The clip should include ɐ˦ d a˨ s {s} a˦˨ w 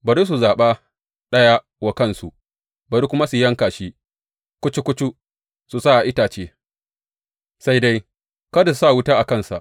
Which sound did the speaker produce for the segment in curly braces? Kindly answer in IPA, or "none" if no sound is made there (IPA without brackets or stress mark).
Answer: s